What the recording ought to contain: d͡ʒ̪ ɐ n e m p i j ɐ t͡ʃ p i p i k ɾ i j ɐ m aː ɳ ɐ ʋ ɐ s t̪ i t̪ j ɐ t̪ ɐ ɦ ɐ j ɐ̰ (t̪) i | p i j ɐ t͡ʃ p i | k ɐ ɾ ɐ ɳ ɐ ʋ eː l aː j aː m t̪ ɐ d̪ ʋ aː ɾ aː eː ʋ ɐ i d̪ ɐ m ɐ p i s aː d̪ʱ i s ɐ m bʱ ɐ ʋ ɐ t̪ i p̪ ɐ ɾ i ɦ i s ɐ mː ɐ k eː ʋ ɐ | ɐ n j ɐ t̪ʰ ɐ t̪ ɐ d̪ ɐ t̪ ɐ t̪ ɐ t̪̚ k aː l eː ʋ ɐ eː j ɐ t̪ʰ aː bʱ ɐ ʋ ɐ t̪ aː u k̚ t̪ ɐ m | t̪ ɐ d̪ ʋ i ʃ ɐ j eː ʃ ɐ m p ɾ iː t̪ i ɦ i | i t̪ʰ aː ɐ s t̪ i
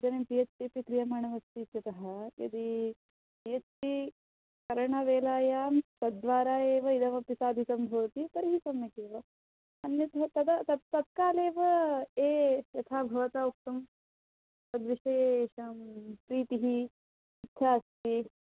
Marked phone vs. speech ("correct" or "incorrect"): incorrect